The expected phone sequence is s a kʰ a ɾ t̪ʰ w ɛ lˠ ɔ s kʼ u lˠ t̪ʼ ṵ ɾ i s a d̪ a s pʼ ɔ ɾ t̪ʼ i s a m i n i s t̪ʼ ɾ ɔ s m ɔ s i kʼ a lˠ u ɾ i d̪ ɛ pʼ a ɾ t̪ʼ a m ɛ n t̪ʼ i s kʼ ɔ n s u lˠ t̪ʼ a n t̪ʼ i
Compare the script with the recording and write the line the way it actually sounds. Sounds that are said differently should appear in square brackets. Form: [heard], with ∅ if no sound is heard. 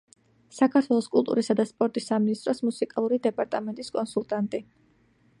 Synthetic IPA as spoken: s a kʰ a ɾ t̪ʰ w ɛ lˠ ɔ s kʼ u lˠ t̪ʼ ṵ ɾ i s a d̪ a s pʼ ɔ ɾ t̪ʼ i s a m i n i s t̪ʼ ɾ ɔ s m [u] s i kʼ a lˠ u ɾ i d̪ ɛ pʼ a ɾ t̪ʼ a m ɛ n t̪ʼ i s kʼ ɔ n s u lˠ t̪ʼ a n t̪ʼ i